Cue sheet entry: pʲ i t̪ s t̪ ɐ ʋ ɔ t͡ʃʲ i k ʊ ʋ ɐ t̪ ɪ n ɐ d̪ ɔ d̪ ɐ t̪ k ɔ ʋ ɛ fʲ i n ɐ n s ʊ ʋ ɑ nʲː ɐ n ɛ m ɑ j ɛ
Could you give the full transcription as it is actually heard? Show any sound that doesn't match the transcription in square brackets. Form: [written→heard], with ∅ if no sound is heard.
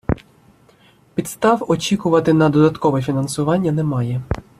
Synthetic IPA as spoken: pʲ i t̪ s t̪ [ɐ→ɑ] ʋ ɔ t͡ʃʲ i k ʊ ʋ ɐ t̪ ɪ n ɐ d̪ ɔ d̪ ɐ t̪ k ɔ ʋ ɛ fʲ i n ɐ n s ʊ ʋ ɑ nʲː ɐ n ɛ m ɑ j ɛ